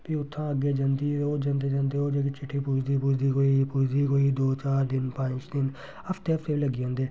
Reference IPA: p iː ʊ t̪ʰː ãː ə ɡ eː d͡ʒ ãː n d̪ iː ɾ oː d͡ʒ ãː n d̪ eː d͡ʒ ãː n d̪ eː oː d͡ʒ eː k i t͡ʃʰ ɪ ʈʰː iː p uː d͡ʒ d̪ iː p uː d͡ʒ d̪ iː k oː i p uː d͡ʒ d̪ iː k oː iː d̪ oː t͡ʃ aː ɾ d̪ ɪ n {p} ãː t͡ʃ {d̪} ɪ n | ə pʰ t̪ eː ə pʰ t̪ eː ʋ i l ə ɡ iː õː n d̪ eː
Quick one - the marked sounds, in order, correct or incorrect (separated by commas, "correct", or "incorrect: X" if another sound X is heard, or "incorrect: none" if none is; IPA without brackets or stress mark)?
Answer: correct, correct